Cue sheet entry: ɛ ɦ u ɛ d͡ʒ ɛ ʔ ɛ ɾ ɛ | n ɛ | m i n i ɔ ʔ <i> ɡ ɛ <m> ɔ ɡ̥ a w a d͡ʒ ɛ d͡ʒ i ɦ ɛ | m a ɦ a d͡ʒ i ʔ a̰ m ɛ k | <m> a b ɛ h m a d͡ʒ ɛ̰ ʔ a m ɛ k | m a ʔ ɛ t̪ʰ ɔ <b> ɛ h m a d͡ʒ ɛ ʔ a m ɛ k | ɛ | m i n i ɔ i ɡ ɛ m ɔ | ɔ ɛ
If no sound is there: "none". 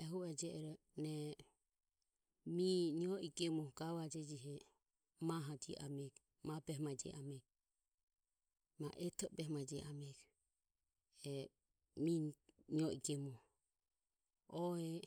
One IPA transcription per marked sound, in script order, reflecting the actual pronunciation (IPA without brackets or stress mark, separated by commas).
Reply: i, m, m, b